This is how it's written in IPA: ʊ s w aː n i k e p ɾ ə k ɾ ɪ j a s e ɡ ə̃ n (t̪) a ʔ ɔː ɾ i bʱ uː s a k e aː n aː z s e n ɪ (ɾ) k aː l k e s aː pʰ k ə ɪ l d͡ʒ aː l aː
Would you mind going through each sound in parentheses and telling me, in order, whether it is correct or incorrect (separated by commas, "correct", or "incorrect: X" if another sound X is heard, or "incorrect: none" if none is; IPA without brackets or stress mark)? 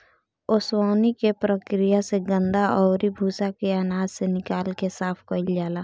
incorrect: d̪, incorrect: none